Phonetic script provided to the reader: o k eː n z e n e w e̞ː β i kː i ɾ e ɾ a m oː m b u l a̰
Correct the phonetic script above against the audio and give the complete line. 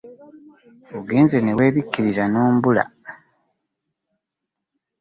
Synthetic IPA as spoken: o ɡ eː n z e n e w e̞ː β i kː i ɾ i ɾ a n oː m b u l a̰